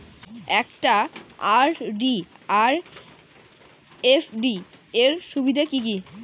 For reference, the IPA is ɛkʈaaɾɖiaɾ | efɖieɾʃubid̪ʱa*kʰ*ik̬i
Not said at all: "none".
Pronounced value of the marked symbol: k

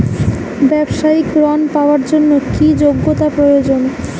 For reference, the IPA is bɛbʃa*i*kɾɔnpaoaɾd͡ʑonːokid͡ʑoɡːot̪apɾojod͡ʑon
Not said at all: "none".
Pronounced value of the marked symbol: i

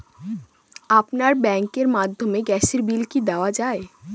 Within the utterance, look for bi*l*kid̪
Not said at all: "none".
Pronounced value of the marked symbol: l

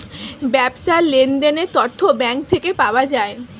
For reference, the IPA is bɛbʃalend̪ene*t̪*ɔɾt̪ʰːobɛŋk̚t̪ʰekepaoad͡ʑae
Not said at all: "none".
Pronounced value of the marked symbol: t̪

